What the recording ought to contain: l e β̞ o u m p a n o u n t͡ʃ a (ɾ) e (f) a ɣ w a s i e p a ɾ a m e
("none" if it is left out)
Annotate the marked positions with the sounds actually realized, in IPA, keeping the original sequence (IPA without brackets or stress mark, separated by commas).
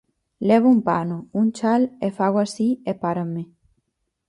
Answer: l, f